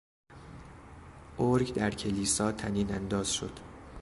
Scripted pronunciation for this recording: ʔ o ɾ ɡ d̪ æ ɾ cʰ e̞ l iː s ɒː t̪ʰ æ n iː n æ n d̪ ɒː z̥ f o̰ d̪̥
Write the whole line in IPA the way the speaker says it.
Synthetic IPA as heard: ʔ o ɾ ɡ d̪ æ ɾ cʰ e̞ l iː s ɒː t̪ʰ æ n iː n æ n d̪ ɒː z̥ ʃ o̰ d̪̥